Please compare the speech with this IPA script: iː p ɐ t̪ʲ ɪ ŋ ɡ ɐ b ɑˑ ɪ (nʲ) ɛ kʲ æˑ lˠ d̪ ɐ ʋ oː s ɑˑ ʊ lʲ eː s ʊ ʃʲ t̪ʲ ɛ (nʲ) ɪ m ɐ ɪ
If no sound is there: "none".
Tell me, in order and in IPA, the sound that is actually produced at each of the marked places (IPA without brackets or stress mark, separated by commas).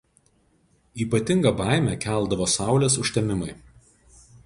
mʲ, mʲ